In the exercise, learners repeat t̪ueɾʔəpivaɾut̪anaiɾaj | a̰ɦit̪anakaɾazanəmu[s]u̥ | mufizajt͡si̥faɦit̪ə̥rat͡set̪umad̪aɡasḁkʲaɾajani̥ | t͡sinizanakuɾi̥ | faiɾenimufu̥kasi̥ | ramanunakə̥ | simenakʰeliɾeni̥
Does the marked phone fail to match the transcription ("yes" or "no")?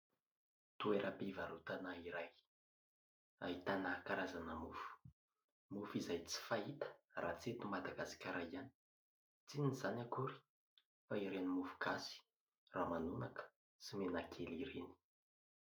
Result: yes